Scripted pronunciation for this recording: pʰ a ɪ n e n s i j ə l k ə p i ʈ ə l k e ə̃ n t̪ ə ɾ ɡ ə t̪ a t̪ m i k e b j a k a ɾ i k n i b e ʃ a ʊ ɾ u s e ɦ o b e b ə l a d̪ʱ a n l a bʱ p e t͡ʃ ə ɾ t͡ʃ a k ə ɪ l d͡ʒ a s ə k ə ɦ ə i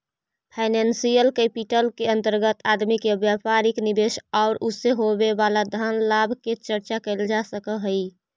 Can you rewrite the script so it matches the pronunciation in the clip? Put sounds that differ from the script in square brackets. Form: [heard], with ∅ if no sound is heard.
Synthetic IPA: pʰ a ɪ n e n s i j ə l k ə p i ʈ ə l k e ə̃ n t̪ ə ɾ ɡ ə t̪ a [d̪] m i k e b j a [p] a ɾ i k n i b e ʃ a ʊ ɾ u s e ɦ o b e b [a] l a d̪ʱ a n l a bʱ [k] e t͡ʃ ə ɾ t͡ʃ a k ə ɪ l d͡ʒ a s ə k ə ɦ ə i